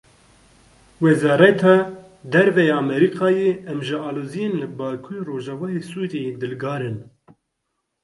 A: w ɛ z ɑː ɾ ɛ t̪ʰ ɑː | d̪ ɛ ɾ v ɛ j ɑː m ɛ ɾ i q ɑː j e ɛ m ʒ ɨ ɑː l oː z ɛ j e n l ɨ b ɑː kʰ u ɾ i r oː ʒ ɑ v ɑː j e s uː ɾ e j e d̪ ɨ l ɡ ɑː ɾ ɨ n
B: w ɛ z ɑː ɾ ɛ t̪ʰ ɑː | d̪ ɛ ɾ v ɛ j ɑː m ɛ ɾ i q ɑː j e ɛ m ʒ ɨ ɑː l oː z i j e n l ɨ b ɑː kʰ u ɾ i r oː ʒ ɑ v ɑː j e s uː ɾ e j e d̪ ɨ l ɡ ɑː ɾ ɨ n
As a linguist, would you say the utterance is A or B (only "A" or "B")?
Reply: B